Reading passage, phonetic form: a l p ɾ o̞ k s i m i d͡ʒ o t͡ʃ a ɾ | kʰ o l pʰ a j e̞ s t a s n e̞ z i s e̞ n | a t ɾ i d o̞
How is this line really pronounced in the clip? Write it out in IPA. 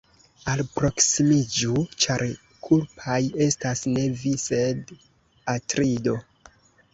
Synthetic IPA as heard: a l p ɾ o̞ k s i m i d͡ʒ u t͡ʃ a ɾ | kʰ u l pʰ a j e̞ s t a s n e̞ v i s e̞ d | a t ɾ i d o̞